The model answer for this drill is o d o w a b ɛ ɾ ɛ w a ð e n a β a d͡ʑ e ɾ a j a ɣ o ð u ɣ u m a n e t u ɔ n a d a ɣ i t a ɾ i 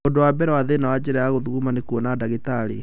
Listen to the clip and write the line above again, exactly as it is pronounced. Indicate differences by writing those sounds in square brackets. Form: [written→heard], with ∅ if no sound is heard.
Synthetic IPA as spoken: o d o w a b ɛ ɾ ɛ w a ð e n a [β→w] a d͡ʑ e ɾ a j a ɣ o ð u ɣ u m a n e [t→k] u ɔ n a d a ɣ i t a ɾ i